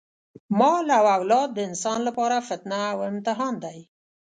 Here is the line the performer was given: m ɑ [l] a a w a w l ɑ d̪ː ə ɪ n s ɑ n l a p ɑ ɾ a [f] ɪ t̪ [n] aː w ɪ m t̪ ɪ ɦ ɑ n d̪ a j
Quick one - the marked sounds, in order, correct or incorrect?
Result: correct, correct, correct

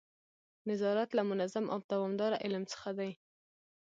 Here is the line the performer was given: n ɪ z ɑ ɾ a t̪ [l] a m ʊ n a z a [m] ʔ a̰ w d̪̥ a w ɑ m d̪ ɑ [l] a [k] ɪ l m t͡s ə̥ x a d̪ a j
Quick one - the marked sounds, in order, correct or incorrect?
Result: correct, correct, incorrect: ɾ, incorrect: ʔ

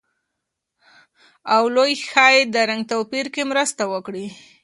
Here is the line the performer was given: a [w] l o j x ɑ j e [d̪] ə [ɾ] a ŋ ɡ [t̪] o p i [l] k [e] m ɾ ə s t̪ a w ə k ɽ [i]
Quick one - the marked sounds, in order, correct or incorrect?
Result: correct, correct, correct, correct, incorrect: ɾ, correct, correct

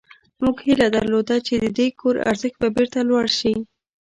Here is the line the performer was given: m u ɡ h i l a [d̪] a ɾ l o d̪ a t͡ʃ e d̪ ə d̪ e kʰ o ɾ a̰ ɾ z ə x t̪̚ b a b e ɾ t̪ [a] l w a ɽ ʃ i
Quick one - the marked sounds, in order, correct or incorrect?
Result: correct, correct

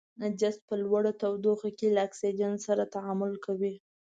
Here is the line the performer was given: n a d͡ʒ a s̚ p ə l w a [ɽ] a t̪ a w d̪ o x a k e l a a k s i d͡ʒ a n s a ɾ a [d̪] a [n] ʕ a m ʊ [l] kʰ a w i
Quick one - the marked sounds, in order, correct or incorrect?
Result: correct, incorrect: t̪, incorrect: none, correct

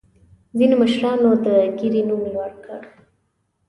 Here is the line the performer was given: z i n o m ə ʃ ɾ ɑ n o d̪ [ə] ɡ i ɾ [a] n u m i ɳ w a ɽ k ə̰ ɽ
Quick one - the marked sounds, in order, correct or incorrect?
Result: correct, incorrect: i

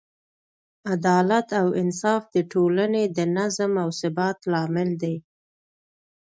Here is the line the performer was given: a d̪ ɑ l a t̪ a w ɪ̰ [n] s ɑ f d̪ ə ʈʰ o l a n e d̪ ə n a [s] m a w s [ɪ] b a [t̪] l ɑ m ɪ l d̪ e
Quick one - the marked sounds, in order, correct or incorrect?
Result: correct, incorrect: z, correct, correct

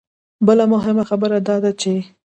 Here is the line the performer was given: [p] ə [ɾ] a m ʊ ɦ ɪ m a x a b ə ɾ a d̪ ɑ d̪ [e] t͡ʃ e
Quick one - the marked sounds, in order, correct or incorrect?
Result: incorrect: b, incorrect: l, incorrect: a

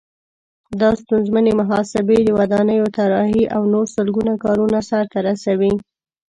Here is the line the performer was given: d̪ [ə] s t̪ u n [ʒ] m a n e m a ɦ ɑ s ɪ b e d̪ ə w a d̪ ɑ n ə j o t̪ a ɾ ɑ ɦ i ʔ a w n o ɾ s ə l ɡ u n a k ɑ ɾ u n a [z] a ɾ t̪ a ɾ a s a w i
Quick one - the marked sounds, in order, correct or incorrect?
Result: incorrect: ɑ, incorrect: z, incorrect: s

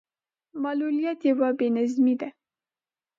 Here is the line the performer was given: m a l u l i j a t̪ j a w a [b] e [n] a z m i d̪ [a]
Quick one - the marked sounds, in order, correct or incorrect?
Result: correct, correct, correct

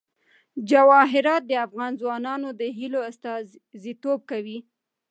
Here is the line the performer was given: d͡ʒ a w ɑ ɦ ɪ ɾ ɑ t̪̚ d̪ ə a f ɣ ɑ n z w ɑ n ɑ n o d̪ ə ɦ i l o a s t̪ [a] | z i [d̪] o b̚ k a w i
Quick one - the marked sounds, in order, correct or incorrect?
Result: incorrect: ɑ, incorrect: t̪

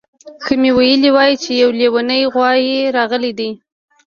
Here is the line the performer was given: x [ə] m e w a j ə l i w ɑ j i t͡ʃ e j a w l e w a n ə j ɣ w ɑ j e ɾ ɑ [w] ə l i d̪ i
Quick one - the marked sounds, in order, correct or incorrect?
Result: correct, incorrect: ɣ

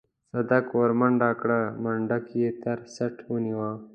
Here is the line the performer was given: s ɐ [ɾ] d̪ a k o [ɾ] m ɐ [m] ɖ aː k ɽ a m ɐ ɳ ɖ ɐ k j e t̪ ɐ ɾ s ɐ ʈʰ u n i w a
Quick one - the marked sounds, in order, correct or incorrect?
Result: incorrect: none, correct, incorrect: ɳ

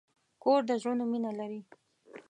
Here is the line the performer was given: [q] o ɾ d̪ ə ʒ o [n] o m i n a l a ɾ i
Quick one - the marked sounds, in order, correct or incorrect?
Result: incorrect: k, correct

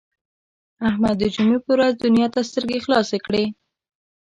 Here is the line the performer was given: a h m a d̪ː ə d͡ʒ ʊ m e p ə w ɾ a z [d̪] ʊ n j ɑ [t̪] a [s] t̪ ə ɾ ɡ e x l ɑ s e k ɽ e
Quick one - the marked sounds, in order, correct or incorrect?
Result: correct, correct, correct

